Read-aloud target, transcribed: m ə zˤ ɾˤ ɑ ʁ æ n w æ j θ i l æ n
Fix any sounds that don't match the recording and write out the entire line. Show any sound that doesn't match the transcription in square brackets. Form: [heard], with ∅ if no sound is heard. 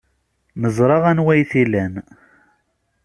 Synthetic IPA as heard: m ə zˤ ɾˤ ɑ ʁ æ n w æ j θ i l æ n